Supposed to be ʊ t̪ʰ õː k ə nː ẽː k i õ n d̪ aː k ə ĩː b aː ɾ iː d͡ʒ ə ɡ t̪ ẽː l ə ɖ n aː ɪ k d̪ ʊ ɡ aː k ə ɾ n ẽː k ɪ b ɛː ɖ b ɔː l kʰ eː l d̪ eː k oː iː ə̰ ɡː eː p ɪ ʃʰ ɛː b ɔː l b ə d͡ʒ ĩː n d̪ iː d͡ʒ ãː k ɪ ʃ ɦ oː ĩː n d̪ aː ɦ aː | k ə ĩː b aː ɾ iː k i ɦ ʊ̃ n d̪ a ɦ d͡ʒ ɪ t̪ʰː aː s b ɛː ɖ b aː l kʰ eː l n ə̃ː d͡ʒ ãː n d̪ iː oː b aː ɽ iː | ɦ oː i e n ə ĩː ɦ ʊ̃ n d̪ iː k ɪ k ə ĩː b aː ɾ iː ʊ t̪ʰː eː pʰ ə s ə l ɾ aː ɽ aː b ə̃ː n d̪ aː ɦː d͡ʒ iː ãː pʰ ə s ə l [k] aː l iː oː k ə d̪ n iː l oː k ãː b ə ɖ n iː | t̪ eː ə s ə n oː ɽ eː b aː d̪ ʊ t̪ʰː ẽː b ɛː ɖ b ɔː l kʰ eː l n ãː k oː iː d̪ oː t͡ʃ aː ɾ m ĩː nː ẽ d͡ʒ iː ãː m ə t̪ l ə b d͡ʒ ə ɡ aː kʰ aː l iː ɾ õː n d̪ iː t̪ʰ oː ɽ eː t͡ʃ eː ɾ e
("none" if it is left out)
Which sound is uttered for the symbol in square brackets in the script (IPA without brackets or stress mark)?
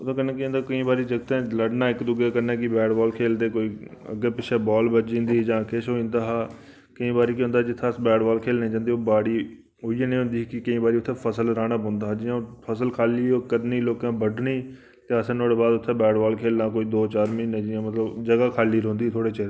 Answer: kʰ